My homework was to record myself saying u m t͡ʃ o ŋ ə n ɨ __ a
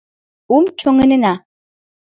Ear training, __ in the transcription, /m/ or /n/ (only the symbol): n